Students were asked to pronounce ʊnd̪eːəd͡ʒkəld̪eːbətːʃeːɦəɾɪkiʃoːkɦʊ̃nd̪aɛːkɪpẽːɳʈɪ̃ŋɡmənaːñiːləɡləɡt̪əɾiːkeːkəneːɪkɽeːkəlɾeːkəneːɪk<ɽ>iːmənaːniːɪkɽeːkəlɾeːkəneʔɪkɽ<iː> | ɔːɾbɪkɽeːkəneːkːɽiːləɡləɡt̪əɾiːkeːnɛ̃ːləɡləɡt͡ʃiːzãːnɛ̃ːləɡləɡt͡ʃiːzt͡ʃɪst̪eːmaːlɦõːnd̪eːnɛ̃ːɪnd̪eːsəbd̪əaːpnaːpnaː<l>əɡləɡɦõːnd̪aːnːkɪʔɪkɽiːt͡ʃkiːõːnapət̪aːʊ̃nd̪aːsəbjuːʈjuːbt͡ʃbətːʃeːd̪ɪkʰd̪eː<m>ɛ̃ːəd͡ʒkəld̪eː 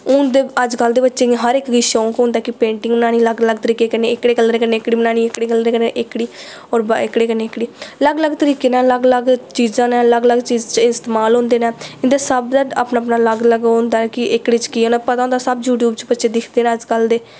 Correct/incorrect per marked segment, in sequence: correct, correct, correct, incorrect: n

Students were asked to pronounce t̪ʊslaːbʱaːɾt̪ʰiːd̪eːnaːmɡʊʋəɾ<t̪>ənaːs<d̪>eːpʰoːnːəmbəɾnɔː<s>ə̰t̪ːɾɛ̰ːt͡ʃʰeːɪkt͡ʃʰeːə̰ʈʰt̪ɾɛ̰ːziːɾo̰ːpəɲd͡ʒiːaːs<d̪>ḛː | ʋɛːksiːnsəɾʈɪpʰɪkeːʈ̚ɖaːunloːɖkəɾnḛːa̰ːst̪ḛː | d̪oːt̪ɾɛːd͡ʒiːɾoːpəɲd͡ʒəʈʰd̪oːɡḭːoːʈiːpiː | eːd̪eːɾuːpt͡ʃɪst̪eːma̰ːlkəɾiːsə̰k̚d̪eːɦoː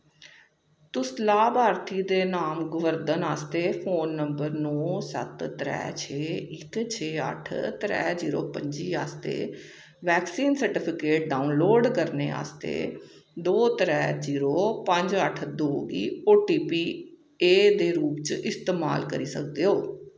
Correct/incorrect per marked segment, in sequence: incorrect: d̪, incorrect: t̪, correct, incorrect: t̪

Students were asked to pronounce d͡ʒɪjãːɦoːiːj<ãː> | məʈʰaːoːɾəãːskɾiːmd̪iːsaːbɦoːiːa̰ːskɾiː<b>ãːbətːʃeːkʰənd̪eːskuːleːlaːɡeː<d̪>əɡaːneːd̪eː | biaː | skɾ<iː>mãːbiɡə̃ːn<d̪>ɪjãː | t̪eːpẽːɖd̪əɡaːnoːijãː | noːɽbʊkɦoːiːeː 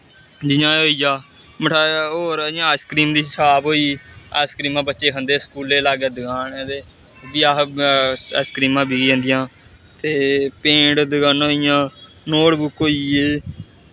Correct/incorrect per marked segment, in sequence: incorrect: aː, incorrect: m, correct, correct, correct

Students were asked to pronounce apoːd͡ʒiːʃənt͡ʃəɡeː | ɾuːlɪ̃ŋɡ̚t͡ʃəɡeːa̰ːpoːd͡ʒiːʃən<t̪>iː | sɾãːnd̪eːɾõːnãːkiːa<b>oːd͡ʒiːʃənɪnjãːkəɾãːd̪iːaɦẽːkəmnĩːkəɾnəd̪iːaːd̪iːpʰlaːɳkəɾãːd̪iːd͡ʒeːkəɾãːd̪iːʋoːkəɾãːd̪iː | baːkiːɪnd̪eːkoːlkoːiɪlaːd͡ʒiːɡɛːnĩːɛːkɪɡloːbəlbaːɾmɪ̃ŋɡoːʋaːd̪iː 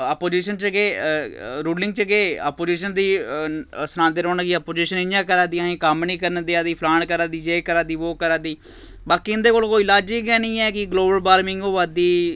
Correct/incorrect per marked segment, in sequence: incorrect: d̪, incorrect: p

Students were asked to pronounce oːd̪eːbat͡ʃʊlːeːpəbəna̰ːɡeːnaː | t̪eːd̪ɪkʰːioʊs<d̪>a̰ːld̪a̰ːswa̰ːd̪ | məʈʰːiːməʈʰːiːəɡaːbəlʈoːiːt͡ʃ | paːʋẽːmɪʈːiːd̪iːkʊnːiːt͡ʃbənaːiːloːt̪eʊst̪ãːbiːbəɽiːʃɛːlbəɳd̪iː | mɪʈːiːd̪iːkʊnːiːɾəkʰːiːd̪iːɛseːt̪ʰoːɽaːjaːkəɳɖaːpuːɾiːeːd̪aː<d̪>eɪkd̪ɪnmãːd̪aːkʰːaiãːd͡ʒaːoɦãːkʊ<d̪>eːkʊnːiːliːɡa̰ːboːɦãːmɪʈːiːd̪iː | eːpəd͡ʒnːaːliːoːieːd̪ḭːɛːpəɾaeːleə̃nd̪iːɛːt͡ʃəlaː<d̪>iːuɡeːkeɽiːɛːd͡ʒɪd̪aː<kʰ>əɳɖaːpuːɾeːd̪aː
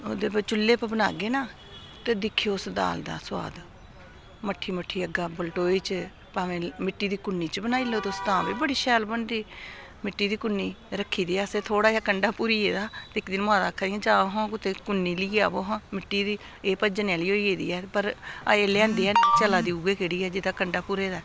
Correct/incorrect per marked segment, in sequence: correct, incorrect: t̪, incorrect: t̪, correct, incorrect: k

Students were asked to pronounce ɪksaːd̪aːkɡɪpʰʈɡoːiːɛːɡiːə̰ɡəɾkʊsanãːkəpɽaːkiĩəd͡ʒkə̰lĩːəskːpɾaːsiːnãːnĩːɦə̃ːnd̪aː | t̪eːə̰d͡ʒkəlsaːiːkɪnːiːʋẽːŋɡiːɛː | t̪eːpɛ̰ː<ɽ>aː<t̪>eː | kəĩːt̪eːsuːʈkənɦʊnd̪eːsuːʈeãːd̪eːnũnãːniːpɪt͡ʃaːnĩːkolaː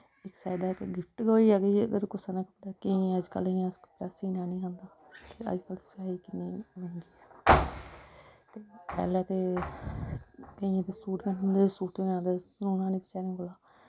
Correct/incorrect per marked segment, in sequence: incorrect: l, correct

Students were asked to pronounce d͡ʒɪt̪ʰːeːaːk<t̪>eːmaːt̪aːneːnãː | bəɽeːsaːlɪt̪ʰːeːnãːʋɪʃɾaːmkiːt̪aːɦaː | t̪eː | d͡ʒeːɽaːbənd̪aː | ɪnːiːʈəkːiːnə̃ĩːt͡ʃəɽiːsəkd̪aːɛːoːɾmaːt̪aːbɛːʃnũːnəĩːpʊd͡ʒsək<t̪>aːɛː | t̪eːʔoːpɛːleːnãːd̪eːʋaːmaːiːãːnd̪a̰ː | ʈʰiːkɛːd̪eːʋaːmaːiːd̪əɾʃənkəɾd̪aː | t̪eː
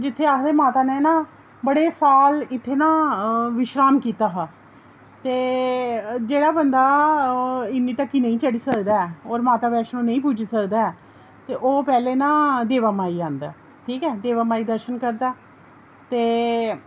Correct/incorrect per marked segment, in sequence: incorrect: d̪, incorrect: d̪

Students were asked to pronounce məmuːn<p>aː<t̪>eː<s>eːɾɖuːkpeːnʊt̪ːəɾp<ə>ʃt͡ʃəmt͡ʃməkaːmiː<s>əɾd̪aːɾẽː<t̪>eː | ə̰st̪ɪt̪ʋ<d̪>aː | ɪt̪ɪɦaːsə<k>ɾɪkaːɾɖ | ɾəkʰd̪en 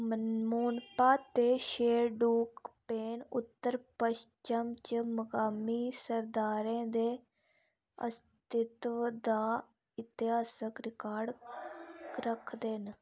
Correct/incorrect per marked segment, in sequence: correct, correct, incorrect: ʃ, correct, correct, incorrect: d̪, correct, correct

